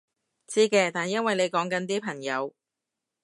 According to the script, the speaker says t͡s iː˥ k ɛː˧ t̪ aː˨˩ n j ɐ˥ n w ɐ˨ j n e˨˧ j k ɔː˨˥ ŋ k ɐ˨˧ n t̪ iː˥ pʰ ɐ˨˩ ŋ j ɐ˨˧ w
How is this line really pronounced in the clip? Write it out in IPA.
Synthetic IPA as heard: t͡s iː˥ k ɛː˧ t̪ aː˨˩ n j ɐ˥ n w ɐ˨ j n e˨˧ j k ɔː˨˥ ŋ k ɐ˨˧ n t̪ iː˥ pʰ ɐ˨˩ ŋ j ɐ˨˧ w